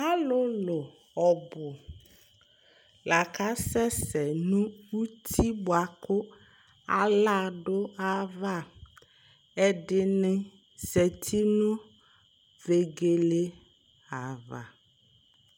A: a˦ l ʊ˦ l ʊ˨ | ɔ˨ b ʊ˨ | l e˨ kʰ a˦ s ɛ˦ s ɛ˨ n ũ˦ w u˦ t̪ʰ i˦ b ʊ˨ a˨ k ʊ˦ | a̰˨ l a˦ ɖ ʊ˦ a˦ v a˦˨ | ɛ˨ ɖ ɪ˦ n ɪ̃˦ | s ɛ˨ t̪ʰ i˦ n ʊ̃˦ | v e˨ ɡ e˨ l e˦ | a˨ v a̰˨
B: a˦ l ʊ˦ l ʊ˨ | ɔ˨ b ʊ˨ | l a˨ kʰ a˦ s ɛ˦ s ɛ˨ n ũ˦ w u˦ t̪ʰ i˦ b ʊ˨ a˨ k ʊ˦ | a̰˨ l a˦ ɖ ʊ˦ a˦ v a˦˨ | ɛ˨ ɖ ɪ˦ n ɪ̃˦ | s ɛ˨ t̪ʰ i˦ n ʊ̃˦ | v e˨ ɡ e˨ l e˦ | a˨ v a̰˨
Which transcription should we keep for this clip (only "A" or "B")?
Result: B